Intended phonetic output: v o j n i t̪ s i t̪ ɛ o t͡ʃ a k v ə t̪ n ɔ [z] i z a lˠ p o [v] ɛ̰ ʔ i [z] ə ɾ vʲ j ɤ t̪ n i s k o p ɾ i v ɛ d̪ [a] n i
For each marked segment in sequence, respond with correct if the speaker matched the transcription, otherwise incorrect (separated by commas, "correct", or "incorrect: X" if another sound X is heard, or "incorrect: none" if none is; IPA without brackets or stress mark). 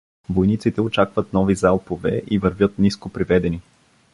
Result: incorrect: v, correct, incorrect: v, incorrect: ɛ